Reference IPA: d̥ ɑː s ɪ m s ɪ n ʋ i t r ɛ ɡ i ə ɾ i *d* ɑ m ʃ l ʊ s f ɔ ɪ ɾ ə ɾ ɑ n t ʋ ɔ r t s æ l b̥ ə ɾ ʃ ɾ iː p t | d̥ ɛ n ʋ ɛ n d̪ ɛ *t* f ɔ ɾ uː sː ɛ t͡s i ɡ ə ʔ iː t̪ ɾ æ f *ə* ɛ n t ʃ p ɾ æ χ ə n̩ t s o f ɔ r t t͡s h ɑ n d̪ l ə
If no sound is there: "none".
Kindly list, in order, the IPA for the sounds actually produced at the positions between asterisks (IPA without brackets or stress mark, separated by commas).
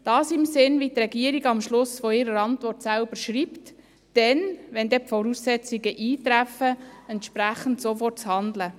ɡ, p, ə